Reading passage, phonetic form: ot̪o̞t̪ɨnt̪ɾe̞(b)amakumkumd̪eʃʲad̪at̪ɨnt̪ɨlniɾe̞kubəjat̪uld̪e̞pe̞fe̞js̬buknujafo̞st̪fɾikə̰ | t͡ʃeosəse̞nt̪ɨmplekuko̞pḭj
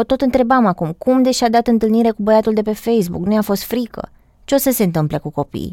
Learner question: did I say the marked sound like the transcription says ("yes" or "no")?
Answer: yes